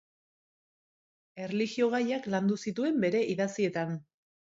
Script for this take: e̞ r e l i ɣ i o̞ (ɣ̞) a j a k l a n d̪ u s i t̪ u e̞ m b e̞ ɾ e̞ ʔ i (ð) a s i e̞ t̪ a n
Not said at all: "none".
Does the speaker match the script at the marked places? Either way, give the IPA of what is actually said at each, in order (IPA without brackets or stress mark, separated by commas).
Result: ɣ̞, ð